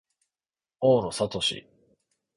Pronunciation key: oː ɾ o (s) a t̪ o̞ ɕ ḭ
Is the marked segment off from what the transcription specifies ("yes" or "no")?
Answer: no